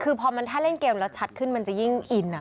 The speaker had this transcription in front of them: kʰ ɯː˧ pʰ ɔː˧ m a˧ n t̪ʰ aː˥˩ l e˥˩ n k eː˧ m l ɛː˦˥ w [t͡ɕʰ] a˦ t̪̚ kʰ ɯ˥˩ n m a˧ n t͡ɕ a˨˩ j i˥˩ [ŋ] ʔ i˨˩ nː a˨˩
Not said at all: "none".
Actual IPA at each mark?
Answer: t͡ɕʰ, ŋ

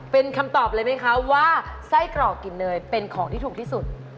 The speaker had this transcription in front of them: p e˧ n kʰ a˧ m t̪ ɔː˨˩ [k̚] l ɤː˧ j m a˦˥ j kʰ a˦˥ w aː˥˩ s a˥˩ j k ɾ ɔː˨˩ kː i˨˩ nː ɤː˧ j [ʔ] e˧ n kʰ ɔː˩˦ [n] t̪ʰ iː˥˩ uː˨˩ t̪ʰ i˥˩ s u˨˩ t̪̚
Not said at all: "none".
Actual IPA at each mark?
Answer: p̚, p, ŋ

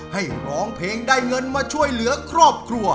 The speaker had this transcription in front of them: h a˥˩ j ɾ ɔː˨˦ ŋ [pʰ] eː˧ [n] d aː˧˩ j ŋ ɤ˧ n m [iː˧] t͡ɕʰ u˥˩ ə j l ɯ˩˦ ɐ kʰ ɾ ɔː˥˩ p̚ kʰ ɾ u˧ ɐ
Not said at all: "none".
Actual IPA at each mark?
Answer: pʰ, ŋ, aː˧

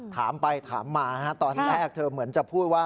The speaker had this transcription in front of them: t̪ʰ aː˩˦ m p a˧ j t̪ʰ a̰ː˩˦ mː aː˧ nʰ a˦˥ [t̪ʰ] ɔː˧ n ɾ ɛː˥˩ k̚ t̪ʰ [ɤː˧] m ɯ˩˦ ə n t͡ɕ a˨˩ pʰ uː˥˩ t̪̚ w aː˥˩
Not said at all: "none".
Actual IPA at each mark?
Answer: t̪, ɤː˧

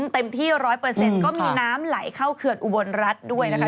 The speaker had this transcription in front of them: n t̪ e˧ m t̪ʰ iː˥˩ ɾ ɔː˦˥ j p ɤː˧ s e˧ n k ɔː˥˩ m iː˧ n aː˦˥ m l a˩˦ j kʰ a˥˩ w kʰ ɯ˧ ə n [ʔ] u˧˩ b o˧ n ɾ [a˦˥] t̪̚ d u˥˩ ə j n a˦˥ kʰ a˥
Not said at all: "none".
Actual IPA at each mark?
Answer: ʔ, a˦˥

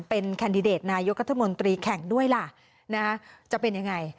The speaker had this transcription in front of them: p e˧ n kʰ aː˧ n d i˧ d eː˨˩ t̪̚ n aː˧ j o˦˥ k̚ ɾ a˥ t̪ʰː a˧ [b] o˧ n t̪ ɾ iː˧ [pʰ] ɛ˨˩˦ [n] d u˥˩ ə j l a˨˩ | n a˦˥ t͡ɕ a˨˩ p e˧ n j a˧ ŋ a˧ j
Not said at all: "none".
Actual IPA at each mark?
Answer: m, kʰ, ŋ

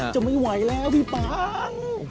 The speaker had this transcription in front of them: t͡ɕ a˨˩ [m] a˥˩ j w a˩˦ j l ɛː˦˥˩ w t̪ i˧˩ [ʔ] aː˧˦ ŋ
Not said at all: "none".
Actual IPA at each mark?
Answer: m, p

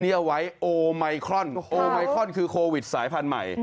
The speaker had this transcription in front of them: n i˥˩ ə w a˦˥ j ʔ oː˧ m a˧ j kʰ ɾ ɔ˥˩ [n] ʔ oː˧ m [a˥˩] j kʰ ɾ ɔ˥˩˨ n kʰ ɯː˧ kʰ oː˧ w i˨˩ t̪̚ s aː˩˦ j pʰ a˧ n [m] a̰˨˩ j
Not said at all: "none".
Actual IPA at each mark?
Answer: n, a˧, m

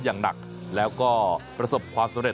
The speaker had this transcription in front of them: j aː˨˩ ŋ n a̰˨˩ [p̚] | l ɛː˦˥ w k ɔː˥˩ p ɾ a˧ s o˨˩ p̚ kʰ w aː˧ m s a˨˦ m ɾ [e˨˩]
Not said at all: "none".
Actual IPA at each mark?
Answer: k̚, e˨˩

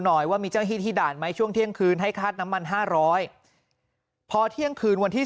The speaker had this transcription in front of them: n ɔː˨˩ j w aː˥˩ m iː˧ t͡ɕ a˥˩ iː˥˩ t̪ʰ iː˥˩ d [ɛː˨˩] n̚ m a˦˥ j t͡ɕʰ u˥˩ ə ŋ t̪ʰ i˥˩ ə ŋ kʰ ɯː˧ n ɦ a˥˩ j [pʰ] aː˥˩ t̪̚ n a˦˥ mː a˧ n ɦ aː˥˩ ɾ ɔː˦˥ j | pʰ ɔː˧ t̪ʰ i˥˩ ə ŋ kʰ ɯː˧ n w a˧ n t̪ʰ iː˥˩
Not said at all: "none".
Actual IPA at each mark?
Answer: aː˨˩, kʰ

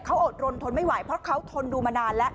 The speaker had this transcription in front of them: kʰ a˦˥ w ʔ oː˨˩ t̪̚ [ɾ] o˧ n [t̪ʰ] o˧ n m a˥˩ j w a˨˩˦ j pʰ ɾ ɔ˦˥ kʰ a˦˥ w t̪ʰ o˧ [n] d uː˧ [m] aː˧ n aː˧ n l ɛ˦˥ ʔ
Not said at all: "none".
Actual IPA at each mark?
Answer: ɾ, t̪ʰ, n, m

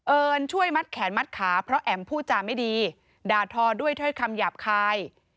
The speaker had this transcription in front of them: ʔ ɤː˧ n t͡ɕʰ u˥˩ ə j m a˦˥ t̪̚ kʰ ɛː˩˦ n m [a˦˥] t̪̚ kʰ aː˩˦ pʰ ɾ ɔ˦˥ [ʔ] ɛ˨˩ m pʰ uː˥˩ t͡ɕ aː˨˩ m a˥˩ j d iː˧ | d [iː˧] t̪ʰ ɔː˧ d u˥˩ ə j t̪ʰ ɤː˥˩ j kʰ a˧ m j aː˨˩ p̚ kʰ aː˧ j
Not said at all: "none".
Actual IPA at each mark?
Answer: a˦˥, ʔ, aː˧

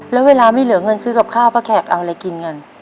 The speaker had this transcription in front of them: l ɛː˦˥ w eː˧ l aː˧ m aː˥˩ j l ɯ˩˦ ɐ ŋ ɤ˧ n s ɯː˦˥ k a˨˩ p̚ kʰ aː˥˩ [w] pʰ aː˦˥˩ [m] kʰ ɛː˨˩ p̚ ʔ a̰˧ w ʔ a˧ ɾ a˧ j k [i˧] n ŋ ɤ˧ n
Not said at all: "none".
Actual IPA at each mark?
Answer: w, none, i˧

